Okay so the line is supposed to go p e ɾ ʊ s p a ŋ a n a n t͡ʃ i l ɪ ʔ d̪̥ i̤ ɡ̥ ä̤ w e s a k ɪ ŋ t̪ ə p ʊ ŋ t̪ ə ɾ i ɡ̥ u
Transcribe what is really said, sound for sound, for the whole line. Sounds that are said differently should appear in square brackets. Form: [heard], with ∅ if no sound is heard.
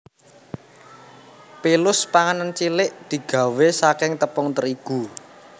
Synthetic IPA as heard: p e [l] ʊ s p a ŋ a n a n t͡ʃ i l ɪ ʔ d̪̥ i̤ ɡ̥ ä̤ w e s a k ɪ ŋ t̪ ə p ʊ ŋ t̪ ə ɾ i ɡ̥ u